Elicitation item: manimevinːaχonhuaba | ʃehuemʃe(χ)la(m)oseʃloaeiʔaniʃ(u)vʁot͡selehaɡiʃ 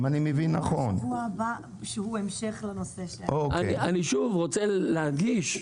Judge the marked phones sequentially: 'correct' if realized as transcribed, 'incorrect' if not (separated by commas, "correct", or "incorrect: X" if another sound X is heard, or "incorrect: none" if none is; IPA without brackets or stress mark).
correct, incorrect: n, correct